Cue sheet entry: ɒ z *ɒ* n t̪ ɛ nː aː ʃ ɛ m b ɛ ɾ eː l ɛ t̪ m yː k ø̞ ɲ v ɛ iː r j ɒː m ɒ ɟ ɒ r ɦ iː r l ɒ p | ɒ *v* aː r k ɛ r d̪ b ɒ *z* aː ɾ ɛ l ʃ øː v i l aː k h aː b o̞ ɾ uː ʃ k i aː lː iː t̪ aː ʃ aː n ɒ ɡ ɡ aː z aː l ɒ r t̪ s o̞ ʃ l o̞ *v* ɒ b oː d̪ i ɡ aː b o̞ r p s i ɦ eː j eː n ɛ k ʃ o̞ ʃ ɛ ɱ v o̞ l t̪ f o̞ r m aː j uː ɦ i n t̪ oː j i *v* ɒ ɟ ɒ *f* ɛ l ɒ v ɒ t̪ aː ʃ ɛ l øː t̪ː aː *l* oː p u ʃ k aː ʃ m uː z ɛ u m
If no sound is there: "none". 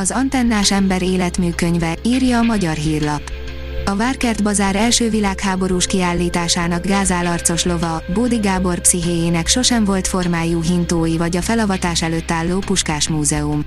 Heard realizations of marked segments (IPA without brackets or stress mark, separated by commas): ɒ, v, z, v, v, f, lː